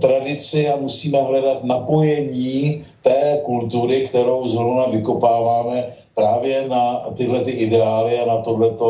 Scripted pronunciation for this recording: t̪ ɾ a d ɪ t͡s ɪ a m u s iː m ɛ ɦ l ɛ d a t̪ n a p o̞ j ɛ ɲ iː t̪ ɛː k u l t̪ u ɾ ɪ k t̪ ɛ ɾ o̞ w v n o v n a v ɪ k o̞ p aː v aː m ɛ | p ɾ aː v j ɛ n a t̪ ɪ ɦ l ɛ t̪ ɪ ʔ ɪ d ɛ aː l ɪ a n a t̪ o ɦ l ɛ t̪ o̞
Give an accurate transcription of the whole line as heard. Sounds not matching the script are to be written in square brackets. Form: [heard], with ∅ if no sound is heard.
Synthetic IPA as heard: t̪ ɾ a d ɪ t͡s ɪ a m u s iː m ɛ ɦ l ɛ d a t̪ n a p o̞ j ɛ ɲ iː t̪ ɛː k u l t̪ u ɾ ɪ k t̪ ɛ ɾ o̞ w [z] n o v n a v ɪ k o̞ p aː v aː m ɛ | p ɾ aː v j ɛ n a t̪ ɪ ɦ l ɛ t̪ ɪ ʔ ɪ d ɛ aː l ɪ a n a t̪ o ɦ l ɛ t̪ o̞